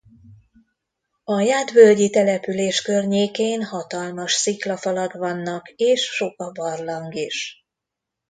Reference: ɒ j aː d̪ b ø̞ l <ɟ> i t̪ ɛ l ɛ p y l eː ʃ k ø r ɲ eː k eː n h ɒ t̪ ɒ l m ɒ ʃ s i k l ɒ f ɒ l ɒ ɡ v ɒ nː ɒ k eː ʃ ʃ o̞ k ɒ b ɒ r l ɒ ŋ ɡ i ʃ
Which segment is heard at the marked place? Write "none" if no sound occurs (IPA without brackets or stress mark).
ɟ